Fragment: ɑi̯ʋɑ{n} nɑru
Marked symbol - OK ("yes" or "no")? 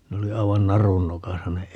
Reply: yes